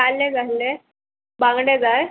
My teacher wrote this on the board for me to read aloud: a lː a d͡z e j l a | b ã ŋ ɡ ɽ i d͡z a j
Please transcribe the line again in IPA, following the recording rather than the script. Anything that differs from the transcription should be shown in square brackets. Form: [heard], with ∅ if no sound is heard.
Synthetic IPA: a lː [e] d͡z [a] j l [e] | b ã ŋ ɡ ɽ [e] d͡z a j